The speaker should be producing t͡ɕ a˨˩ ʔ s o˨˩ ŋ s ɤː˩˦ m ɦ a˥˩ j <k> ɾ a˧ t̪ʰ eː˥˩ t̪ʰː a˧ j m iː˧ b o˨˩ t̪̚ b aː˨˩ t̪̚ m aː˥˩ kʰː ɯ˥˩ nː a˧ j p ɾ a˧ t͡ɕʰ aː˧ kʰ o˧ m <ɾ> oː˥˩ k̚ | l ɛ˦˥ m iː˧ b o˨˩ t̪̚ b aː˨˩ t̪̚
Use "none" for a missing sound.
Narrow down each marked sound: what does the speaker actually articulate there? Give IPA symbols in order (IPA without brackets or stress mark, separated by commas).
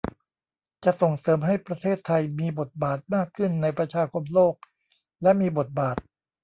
p, l